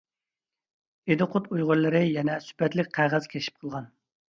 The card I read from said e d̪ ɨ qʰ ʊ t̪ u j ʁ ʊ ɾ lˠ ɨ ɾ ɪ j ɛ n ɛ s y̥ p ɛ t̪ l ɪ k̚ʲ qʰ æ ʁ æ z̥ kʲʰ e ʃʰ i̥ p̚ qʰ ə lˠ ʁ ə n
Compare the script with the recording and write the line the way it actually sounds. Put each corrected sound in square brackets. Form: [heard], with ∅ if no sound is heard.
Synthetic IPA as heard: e d̪ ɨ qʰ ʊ t̪ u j ʁ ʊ ɾ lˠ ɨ ɾ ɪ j ɛ n ɛ s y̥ p ɛ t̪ l ɪ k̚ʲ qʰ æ ʁ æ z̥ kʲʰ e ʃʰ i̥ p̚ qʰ ə lˠ ʁ [ɑ] n